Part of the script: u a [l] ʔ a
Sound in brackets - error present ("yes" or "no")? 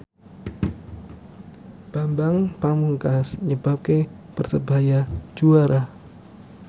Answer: yes